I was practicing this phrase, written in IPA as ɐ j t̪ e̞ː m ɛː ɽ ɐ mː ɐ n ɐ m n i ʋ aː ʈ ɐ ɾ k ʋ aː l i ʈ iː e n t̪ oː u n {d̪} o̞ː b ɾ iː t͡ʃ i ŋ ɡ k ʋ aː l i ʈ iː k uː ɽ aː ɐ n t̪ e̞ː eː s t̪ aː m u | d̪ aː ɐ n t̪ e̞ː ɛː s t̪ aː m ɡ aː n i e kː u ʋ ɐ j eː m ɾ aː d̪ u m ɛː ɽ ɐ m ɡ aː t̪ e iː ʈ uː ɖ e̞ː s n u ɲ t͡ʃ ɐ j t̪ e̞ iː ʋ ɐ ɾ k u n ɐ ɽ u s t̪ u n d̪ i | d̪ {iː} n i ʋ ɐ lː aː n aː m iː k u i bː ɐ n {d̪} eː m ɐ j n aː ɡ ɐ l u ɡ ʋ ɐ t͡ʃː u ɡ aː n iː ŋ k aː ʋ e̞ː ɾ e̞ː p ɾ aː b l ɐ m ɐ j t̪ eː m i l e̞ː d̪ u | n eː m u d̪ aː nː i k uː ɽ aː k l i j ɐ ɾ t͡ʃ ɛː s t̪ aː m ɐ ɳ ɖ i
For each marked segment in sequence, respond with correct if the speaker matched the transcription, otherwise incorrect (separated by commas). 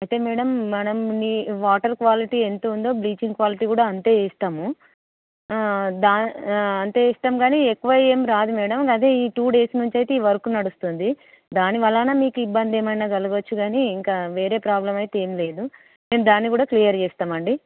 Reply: correct, incorrect, correct